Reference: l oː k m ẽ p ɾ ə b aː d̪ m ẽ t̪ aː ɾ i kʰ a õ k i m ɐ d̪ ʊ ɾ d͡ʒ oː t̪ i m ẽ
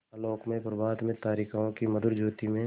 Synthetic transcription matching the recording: l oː k m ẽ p ɾ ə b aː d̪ m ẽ t̪ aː ɾ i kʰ a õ k i m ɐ d̪ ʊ ɾ d͡ʒ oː t̪ i m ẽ